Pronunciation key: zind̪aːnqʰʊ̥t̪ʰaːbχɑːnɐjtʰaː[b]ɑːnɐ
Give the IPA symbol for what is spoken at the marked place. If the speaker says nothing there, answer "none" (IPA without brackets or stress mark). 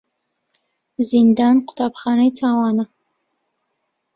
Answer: w